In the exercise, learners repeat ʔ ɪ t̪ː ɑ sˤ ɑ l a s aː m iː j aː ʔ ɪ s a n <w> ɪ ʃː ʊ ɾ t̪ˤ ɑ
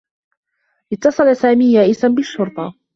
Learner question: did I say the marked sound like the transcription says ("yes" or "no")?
no